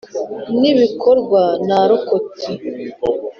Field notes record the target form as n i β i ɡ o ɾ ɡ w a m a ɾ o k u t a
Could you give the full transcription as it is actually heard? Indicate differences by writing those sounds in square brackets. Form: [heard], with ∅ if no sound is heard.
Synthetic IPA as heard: n i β i [k] o ɾ ɡ w a [n] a ɾ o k [o] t [i]